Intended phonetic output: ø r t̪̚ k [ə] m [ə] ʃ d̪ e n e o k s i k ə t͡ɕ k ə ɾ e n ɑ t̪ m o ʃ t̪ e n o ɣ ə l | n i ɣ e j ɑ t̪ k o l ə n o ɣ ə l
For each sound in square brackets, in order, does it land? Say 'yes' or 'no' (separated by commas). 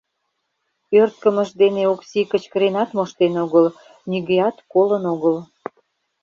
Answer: yes, yes